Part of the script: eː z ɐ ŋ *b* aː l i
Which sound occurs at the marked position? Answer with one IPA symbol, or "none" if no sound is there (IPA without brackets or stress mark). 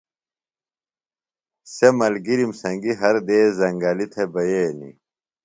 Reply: ɡ